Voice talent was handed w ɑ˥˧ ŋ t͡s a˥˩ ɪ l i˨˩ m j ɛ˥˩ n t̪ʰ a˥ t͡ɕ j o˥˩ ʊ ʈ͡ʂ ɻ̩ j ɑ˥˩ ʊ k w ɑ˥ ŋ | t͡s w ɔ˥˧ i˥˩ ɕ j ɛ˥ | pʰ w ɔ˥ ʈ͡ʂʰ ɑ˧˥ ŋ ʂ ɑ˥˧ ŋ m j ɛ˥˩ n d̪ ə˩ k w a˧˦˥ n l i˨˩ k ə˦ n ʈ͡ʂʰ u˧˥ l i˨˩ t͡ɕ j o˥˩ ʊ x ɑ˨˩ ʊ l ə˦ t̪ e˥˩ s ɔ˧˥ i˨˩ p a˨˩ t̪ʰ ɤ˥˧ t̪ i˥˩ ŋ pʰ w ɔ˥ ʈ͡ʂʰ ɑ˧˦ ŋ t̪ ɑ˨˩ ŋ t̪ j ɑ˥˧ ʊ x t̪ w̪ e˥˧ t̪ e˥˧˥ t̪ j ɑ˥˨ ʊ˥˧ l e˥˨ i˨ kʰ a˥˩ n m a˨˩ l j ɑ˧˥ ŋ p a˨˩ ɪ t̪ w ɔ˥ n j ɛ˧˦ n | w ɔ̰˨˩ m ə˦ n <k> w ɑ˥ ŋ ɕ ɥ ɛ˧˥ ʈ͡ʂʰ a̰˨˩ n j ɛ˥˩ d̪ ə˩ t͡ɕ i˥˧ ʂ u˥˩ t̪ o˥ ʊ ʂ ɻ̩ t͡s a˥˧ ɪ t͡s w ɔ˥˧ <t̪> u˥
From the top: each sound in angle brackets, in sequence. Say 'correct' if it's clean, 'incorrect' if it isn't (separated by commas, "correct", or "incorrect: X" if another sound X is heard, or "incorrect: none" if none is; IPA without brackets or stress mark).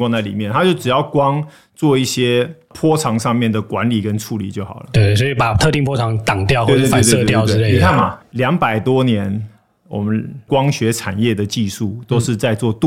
correct, correct